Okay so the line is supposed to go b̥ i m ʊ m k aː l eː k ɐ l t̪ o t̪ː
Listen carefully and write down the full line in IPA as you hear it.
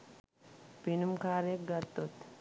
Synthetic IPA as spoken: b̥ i n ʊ m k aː ɾ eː ɡ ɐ ɾ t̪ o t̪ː